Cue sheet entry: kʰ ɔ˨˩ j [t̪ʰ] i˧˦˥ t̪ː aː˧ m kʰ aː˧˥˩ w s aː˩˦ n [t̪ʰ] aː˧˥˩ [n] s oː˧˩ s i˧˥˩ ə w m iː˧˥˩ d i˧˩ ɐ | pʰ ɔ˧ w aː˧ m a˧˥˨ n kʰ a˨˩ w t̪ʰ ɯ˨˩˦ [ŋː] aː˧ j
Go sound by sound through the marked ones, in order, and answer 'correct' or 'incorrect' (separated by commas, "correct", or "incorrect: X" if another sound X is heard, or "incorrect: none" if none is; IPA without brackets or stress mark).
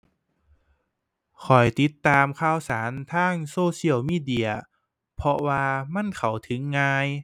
incorrect: t̪, correct, incorrect: ŋ, correct